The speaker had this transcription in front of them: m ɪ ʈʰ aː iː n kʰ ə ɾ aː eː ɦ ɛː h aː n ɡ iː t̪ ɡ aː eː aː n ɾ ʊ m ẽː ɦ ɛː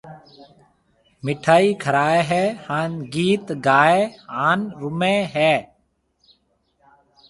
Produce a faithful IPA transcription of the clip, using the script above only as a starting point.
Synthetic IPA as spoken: m ɪ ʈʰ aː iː kʰ ə ɾ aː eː ɦ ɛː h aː n ɡ iː t̪ ɡ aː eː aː n ɾ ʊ m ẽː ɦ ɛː